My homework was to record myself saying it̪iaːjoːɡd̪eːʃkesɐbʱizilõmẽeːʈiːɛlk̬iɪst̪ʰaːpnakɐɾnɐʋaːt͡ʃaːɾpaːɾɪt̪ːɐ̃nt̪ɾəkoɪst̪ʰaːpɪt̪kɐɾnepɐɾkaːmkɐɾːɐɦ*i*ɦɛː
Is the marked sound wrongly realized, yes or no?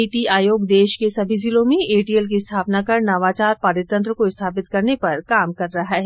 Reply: yes